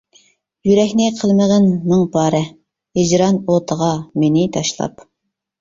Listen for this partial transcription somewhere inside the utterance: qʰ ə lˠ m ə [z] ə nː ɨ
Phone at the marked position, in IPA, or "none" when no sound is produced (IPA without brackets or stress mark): ʁ